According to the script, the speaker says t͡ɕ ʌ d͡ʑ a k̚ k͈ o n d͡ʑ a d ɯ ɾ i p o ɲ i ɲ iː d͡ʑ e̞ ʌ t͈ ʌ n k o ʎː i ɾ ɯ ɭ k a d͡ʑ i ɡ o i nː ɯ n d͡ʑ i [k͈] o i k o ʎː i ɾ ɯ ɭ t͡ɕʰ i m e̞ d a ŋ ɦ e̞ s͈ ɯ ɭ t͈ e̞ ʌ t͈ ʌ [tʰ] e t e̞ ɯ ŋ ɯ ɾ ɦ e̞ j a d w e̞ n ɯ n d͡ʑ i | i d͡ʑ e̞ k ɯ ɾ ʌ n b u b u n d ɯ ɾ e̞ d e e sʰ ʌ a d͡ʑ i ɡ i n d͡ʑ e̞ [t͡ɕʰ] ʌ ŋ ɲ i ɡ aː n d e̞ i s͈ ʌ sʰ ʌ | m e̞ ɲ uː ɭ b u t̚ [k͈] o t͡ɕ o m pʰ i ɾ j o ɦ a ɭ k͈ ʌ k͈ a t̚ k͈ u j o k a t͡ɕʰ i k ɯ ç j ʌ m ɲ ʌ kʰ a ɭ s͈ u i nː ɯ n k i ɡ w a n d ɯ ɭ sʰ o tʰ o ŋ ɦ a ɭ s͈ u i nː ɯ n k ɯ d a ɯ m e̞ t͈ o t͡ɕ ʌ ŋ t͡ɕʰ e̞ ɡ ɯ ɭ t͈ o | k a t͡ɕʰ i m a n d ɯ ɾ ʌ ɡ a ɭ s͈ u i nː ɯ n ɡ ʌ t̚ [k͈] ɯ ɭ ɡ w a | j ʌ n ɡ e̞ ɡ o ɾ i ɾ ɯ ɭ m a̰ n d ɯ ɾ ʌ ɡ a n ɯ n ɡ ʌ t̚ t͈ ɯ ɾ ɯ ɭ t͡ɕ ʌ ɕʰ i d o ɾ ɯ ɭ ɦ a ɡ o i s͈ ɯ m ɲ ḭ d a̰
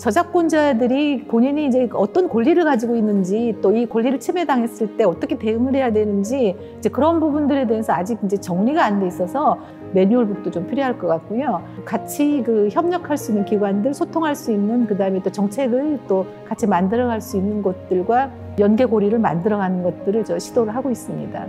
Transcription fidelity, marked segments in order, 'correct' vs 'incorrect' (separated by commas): incorrect, incorrect, incorrect, incorrect, incorrect